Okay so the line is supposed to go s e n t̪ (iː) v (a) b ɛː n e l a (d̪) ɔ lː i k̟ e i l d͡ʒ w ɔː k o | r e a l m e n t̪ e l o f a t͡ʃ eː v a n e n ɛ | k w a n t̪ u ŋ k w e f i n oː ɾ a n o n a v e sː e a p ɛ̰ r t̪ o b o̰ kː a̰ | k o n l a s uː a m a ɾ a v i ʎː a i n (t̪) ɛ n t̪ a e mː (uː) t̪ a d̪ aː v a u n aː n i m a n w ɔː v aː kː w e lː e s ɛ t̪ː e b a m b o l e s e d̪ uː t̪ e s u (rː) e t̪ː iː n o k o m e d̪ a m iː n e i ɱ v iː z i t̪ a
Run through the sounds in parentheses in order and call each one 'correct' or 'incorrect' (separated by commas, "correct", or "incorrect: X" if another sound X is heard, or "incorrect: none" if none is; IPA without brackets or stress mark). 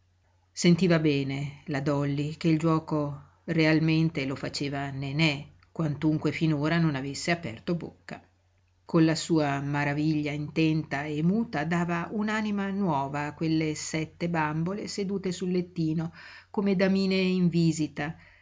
correct, correct, correct, correct, correct, incorrect: lː